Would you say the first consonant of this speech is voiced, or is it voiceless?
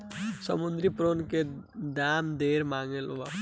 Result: voiceless